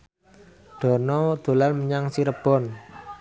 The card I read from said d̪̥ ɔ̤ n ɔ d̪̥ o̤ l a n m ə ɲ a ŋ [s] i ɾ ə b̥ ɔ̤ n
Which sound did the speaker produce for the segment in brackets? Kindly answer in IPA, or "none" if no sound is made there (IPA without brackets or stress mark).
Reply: s